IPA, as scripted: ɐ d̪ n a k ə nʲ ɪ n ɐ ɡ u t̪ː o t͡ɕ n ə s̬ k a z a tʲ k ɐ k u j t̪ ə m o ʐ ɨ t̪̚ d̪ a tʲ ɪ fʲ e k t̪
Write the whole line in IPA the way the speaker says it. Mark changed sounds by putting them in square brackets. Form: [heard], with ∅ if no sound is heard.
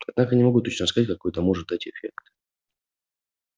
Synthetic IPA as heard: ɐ d̪ n a k ə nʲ ɪ [m] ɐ ɡ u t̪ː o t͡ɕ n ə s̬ k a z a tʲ k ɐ k [o] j t̪ ə m o ʐ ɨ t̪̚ d̪ a tʲ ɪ fʲ e k t̪